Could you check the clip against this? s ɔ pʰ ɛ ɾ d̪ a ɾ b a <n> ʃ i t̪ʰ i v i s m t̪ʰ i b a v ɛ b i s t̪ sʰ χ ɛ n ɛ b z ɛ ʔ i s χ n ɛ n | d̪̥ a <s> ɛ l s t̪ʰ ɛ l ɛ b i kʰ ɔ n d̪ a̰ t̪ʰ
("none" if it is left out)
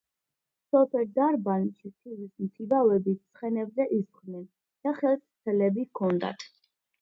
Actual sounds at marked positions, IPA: n, χ

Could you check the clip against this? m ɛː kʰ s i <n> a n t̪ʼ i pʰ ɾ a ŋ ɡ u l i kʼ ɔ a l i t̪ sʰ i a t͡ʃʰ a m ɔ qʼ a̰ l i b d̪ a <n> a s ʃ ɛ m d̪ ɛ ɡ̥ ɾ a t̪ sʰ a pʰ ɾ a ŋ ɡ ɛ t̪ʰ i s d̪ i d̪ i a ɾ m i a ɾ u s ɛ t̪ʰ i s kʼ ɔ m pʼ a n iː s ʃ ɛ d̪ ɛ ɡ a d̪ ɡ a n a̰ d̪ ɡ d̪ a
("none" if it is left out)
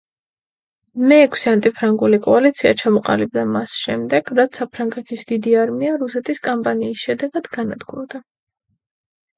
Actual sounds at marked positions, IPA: none, m

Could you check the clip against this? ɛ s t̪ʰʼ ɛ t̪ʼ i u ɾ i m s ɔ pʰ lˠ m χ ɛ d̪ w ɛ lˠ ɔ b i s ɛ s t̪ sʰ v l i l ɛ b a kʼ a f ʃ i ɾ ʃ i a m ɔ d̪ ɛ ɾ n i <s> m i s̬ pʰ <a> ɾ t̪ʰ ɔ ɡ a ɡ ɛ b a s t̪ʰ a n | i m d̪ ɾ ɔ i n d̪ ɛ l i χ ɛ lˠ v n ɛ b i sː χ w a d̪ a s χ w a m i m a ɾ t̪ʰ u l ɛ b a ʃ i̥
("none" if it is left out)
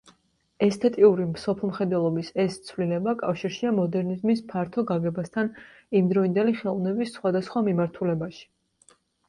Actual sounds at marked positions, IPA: z, a

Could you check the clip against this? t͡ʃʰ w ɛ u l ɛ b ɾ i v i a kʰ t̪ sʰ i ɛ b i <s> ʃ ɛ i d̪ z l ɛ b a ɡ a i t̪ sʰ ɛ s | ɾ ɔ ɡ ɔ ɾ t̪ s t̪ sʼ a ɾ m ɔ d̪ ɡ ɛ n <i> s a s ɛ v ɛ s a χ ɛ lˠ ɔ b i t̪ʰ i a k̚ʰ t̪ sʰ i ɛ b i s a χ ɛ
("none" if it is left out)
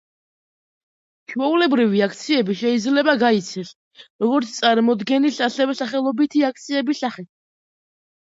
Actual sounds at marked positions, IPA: none, i

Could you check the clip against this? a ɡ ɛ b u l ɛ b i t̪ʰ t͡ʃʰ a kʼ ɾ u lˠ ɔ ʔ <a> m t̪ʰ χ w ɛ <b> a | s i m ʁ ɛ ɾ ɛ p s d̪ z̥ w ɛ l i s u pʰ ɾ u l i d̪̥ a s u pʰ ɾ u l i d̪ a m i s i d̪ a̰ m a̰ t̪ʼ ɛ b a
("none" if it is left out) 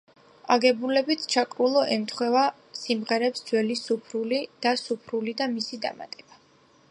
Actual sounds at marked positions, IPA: ɛ, v

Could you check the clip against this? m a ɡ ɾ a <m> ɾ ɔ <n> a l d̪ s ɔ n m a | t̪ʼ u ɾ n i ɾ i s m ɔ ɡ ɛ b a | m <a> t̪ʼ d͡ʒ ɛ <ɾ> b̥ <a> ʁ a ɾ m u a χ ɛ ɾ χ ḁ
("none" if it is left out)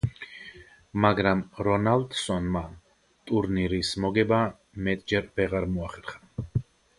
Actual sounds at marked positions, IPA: m, n, ɛ, ɾ, ɛ

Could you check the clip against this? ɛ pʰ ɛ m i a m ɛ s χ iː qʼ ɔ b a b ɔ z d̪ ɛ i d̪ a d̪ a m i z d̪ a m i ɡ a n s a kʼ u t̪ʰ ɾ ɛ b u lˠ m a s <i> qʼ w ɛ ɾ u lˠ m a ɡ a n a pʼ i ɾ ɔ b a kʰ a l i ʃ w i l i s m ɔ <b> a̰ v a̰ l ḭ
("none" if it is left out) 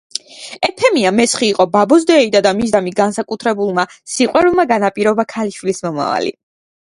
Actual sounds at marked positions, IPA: i, m

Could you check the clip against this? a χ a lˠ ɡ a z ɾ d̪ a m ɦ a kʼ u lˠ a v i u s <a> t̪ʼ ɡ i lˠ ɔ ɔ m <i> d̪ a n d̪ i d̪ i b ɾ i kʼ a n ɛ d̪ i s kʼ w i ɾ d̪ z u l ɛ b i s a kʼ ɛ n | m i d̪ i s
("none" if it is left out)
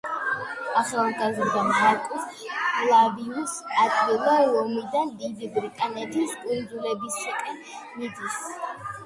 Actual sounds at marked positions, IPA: a, i

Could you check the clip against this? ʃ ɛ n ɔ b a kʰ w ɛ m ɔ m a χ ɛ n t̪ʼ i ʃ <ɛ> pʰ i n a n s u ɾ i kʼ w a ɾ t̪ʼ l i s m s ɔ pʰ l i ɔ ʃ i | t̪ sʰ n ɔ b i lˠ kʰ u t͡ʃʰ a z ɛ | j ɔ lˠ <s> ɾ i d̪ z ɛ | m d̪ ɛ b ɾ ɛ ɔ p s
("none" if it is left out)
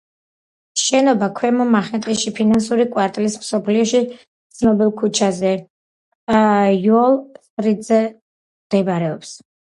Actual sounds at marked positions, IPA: i, s

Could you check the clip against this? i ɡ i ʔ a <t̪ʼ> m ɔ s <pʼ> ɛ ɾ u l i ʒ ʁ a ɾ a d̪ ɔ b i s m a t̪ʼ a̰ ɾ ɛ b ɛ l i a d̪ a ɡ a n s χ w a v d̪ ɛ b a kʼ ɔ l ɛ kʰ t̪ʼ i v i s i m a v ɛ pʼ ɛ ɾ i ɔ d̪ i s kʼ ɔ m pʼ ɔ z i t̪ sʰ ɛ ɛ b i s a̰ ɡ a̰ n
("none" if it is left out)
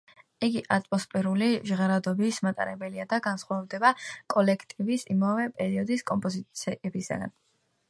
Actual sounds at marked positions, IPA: t̪ʼ, pʼ

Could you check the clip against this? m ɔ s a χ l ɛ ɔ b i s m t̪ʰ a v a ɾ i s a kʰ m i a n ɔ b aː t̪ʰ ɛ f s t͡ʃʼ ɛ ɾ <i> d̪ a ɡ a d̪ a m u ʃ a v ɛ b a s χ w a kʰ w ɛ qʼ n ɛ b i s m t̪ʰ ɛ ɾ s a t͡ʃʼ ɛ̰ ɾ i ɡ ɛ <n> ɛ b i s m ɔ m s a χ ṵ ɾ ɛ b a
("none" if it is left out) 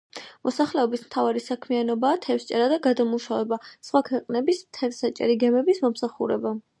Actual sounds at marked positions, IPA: a, m

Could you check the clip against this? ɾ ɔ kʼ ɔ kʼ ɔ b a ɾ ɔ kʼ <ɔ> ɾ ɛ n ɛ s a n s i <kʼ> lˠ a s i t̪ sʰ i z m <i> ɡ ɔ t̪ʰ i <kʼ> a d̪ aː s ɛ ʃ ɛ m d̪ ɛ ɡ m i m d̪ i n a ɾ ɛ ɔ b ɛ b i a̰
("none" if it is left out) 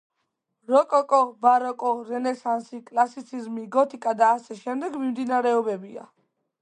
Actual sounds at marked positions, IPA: ɔ, kʼ, i, kʼ

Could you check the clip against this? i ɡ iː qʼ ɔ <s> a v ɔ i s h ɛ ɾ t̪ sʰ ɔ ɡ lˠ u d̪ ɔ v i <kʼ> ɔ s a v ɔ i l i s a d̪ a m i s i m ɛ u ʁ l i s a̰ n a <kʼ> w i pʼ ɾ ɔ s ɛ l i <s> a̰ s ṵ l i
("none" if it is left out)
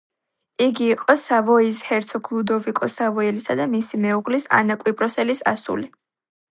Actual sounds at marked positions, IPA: s, kʼ, kʼ, s

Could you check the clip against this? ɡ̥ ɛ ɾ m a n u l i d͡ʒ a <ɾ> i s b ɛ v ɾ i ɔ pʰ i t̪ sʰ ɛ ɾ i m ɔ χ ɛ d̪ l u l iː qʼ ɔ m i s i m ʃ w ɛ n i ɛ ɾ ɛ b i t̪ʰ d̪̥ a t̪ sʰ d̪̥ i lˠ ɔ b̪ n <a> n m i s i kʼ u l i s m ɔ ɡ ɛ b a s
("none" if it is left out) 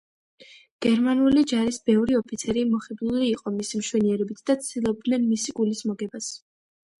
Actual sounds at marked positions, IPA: ɾ, ɛ

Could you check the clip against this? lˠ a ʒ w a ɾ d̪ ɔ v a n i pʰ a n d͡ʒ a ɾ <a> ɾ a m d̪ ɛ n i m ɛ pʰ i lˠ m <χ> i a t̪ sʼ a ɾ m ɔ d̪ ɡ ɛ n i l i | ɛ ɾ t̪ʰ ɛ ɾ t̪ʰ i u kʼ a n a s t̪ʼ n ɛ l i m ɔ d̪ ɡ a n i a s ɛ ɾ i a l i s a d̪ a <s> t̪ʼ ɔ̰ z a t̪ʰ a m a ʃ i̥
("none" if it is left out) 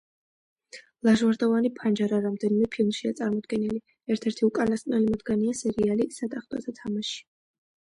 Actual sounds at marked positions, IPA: a, ʃ, χ

